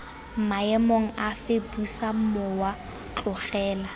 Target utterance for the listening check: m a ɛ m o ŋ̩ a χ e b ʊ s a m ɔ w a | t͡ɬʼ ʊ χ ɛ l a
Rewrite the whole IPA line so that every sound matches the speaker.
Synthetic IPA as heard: m a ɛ m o ŋ̩ a f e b u s a m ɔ w a | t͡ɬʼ ʊ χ ɛː l a